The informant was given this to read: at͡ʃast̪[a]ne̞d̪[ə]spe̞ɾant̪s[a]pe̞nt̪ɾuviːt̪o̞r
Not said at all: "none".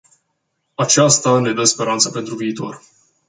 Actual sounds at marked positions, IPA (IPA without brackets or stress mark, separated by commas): a, ə, ə